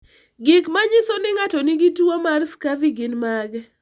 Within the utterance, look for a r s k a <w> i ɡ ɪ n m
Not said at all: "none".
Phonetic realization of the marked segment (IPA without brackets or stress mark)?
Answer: v